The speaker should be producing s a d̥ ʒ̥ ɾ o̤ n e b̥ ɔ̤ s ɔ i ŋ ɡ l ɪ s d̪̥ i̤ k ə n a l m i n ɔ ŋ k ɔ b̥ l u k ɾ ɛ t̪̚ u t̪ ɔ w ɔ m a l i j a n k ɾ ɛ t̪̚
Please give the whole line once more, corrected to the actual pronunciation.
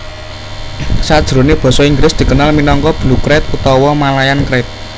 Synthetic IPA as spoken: s a d̥ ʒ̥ ɾ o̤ n e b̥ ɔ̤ s ɔ i ŋ ɡ l ɪ s d̪̥ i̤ k ə n a l m i n ɔ ŋ k ɔ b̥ l u k ɾ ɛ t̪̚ u t̪ ɔ w ɔ m a l a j a n k ɾ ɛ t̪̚